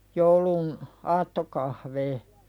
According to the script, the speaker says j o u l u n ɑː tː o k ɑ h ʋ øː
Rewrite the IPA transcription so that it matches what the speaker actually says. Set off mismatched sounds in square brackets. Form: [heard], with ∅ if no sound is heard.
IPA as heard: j o u l u n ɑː tː o k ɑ h ʋ [eː]

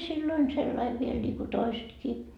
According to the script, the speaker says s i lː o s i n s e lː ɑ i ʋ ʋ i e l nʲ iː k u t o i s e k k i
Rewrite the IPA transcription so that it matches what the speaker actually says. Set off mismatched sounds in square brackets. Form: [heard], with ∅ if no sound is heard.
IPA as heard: s i lː o [∅] i n s e lː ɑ i ʋ ʋ i e l nʲ iː k u t o i s e [t] k [iː]

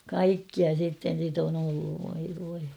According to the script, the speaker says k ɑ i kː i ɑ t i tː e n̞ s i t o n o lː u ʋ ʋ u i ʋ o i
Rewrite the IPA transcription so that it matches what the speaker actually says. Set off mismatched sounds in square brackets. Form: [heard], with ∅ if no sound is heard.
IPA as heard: k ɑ i kː i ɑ [s] i tː e n̞ s i t o n o lː u ʋ ʋ [o] i ʋ o i

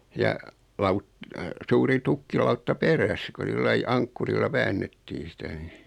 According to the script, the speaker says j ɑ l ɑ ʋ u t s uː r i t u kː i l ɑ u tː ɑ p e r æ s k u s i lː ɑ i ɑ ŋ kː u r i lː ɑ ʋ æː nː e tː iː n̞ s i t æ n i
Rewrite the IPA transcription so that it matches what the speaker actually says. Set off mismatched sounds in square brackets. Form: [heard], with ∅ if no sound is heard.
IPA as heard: j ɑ l ɑ [∅] u t s uː r i t u kː i l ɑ u tː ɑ p e r æ s k u s i lː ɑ i ɑ ŋ kː u r i lː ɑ ʋ æː nː e tː iː n̞ s i t æ n i

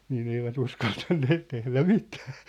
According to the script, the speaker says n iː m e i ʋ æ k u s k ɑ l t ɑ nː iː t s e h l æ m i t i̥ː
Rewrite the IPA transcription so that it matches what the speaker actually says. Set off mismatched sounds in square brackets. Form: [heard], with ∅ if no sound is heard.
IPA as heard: n iː [n] e i ʋ æ [t] u s k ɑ l t ɑ nː [eː] t [t] e h l æ m i t [æ̥ː]

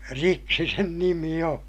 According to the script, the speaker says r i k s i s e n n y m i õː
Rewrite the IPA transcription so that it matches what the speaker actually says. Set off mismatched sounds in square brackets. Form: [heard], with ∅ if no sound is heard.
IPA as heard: r i k s i s e n n [i] m i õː

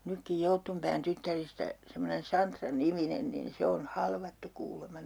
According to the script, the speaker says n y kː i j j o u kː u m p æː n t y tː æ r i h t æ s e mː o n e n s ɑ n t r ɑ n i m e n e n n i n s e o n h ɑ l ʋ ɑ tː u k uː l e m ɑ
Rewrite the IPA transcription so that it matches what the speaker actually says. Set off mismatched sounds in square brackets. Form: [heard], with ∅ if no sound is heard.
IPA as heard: n y kː i j j o u [tː] u m p æː n t y tː æ r i [s] t æ s e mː o n e n s ɑ n t r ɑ n i m [i] n e n n i n s e o n h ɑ l ʋ ɑ tː u k uː l e m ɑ

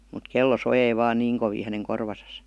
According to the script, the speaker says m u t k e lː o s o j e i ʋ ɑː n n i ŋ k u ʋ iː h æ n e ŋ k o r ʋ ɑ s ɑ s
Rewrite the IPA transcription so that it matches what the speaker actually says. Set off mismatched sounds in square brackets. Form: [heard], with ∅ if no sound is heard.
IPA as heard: m u t k e lː o s o j e i ʋ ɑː n n [iː] ŋ k [o] ʋ iː h æ n e ŋ k o r ʋ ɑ s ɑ s

